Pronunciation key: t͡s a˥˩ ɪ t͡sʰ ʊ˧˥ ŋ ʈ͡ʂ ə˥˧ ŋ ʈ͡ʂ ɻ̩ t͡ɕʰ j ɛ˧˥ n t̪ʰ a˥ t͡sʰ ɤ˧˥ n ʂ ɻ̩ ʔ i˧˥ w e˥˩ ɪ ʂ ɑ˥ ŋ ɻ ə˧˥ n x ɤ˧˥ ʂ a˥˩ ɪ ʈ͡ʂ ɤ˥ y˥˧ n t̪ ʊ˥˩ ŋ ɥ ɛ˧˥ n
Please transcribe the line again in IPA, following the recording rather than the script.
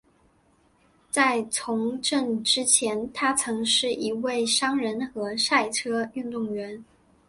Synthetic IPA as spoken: t͡s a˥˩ ɪ t͡sʰ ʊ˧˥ ŋ ʈ͡ʂ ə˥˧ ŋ ʈ͡ʂ ɻ̩ t͡ɕʰ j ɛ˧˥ n t̪ʰ a˥ t͡sʰ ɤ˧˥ ŋ ʂ ɻ̩ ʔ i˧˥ w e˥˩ ɪ ʂ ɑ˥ ŋ ɻ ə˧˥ n x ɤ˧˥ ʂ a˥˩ ɪ ʈ͡ʂʰ ɤ˥ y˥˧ n t̪ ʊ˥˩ ŋ ɥ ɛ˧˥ n

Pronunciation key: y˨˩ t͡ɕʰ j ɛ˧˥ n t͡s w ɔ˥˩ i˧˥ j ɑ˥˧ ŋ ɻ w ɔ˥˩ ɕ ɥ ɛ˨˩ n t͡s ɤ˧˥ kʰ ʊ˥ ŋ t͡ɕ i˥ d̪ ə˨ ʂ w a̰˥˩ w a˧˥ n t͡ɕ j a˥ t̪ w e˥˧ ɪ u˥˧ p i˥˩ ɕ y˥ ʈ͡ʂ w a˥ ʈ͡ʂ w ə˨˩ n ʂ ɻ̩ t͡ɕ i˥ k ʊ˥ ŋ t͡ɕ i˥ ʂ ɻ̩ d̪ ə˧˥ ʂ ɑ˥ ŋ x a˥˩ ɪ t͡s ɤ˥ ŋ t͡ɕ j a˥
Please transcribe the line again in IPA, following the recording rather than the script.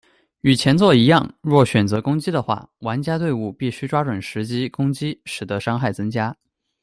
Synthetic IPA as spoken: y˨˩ t͡ɕʰ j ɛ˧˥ n t͡s w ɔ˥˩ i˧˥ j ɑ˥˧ ŋ ɻ w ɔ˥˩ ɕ ɥ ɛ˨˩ n t͡s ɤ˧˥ k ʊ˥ ŋ t͡ɕ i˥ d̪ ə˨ x w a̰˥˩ w a˧˥ n t͡ɕ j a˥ t̪ w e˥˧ ɪ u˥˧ p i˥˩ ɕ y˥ ʈ͡ʂ w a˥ ʈ͡ʂ w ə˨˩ n ʂ ɻ̩ t͡ɕ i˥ k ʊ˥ ŋ t͡ɕ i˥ ʂ ɻ̩ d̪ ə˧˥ ʂ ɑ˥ ŋ x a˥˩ ɪ t͡s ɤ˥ ŋ t͡ɕ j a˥

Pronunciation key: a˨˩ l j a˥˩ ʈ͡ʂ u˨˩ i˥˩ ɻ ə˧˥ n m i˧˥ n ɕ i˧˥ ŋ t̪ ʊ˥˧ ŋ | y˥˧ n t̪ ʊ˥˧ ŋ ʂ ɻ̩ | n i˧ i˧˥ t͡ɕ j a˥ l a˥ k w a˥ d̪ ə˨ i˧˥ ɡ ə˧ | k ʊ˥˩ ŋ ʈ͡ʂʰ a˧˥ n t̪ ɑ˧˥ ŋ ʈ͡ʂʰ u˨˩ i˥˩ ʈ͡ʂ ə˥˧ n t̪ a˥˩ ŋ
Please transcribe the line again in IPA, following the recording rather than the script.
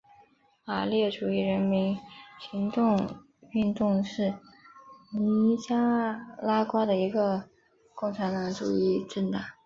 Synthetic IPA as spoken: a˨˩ l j ɛ˥˩ ʈ͡ʂ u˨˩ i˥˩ ɻ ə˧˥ n m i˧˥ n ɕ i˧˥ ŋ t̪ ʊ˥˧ ŋ | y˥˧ n t̪ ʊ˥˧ ŋ ʂ ɻ̩ | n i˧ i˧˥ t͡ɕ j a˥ l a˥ k w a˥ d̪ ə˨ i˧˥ ɡ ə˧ | k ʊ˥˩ ŋ ʈ͡ʂʰ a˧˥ n t̪ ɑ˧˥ ŋ ʈ͡ʂ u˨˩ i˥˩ ʈ͡ʂ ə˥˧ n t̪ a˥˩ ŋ

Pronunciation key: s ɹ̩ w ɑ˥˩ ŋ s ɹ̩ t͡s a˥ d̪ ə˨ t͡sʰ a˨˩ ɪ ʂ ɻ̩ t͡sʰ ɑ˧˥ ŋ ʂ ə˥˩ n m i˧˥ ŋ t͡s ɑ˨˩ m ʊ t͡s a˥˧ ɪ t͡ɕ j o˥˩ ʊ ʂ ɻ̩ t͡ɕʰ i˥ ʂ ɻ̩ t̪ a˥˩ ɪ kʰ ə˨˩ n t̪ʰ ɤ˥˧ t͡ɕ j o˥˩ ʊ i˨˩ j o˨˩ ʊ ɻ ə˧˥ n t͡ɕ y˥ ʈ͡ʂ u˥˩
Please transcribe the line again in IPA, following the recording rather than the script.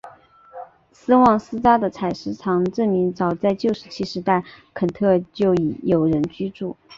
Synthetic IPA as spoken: s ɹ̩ w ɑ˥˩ ŋ s ɹ̩ t͡s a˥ d̪ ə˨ t͡sʰ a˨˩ ɪ ʂ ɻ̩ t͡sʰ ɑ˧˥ ŋ ʈ͡ʂ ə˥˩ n m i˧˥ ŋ t͡s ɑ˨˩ ʊ t͡s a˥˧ ɪ t͡ɕ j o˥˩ ʊ ʂ ɻ̩ t͡ɕʰ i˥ ʂ ɻ̩ t̪ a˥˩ ɪ kʰ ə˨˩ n t̪ʰ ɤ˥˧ t͡ɕ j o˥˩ ʊ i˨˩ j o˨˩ ʊ ɻ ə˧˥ n t͡ɕ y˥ ʈ͡ʂ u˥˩

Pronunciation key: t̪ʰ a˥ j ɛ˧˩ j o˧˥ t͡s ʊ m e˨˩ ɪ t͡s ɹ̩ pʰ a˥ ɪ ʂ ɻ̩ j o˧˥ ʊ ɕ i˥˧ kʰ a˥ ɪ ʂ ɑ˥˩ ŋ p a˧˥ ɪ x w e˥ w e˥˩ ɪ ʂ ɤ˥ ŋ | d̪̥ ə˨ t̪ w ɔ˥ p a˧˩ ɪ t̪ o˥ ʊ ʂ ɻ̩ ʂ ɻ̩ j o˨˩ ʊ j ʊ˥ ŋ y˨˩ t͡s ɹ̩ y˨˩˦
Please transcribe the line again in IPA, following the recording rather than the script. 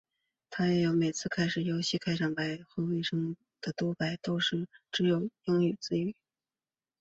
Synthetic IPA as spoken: t̪ʰ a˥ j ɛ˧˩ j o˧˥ ʊ m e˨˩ ɪ t͡sʰ ɹ̩ kʰ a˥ ɪ ʂ ɻ̩ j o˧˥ ʊ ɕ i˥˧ kʰ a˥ ɪ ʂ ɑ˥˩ ŋ p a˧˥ ɪ x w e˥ w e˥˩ ɪ ʂ ɤ˥ ŋ | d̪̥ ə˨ t̪ w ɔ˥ p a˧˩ ɪ t̪ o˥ ʊ ʂ ɻ̩ ʈ͡ʂ ɻ̩ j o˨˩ ʊ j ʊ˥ ŋ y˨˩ t͡s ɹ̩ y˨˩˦

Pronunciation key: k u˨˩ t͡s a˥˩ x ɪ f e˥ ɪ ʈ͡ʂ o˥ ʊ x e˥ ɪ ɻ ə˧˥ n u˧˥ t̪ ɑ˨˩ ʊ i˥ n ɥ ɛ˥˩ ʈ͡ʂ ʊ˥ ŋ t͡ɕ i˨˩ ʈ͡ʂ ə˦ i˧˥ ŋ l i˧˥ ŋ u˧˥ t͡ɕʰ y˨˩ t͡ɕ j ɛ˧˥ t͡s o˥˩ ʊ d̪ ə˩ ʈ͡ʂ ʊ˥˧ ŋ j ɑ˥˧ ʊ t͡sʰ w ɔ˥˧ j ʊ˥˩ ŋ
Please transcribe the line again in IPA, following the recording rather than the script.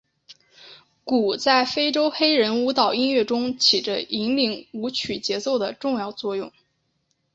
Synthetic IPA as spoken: k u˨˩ t͡s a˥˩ ɪ f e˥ ɪ ʈ͡ʂ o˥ ʊ x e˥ ɪ ɻ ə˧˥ n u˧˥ t̪ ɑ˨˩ ʊ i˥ n ɥ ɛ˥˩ ʈ͡ʂ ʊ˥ ŋ t͡ɕʰ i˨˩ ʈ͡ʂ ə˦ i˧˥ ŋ l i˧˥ ŋ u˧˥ t͡ɕʰ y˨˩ t͡ɕ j ɛ˧˥ t͡s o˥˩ ʊ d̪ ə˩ ʈ͡ʂ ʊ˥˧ ŋ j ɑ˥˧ ʊ t͡s w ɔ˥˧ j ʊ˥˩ ŋ

